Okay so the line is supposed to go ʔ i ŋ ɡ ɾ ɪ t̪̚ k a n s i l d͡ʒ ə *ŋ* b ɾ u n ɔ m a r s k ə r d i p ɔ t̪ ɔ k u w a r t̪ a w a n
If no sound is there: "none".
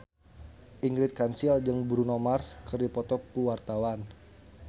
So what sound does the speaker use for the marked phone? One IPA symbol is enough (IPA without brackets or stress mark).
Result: ŋ